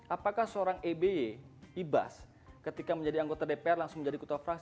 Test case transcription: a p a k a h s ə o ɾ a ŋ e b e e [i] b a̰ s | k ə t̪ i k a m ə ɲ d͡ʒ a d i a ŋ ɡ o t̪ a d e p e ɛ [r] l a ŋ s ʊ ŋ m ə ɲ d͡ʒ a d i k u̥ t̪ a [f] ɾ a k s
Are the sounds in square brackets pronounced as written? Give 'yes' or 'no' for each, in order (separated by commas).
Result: yes, yes, yes